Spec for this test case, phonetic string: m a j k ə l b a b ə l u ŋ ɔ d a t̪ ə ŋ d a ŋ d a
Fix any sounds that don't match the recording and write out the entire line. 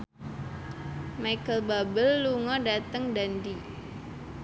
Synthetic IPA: m a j k ə l b a b ə lː u ŋ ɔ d a t̪ ə ŋ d a n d i